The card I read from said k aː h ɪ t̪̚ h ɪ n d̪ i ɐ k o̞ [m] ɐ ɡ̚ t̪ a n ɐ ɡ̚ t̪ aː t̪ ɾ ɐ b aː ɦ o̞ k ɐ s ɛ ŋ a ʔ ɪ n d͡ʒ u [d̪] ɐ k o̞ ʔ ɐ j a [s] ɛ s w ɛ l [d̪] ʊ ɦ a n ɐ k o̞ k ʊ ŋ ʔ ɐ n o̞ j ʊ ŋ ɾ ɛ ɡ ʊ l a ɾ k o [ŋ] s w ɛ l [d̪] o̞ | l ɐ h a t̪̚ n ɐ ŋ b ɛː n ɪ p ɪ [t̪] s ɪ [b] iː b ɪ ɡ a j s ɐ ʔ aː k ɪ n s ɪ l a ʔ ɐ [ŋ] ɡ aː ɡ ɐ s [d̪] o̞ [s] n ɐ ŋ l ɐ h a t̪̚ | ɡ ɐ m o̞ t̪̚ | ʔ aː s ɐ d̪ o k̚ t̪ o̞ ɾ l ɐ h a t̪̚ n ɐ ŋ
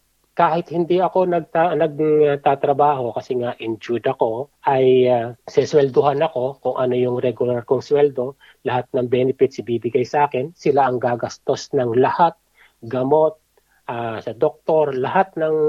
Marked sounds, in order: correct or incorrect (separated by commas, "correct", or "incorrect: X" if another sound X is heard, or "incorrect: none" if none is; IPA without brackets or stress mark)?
incorrect: n, correct, correct, correct, correct, correct, correct, correct, correct, incorrect: t̪, correct